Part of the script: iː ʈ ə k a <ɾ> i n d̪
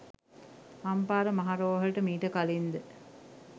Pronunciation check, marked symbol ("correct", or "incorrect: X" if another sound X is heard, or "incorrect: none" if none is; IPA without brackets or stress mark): incorrect: l